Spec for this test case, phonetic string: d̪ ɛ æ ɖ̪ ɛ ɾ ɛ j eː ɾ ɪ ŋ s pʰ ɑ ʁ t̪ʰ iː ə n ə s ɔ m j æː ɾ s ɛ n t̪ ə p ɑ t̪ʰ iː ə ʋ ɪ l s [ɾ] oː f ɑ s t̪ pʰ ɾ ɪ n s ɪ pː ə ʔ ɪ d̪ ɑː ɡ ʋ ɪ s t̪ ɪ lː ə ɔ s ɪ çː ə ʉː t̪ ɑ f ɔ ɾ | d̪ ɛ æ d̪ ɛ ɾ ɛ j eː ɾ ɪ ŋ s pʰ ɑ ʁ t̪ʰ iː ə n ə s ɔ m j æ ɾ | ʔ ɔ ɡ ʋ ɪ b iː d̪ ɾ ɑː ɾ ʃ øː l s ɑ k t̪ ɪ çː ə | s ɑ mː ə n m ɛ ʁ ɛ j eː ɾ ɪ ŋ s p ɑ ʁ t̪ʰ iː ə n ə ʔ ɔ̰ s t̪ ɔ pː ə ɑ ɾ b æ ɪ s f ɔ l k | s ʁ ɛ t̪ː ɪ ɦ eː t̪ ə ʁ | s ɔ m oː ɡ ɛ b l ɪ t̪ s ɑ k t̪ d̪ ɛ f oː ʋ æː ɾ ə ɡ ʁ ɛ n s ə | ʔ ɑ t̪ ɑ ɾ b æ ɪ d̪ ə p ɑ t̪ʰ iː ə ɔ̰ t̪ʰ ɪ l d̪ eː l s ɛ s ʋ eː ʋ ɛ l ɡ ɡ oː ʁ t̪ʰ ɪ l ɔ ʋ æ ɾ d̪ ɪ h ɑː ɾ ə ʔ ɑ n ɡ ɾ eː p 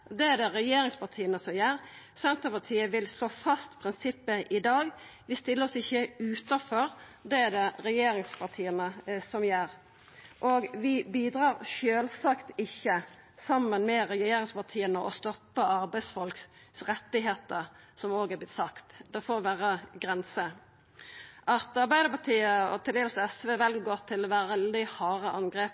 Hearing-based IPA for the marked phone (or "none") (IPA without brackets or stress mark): l